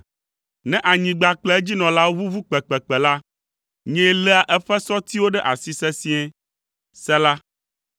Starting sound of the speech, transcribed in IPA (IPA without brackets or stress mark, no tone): n